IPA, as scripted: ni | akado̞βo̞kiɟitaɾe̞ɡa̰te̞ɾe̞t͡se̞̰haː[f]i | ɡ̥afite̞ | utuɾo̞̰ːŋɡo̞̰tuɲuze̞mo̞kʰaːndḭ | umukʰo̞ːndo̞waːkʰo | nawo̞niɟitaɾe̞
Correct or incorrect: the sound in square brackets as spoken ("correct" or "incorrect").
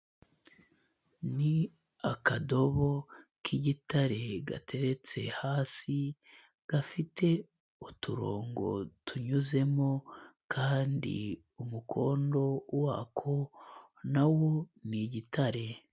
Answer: incorrect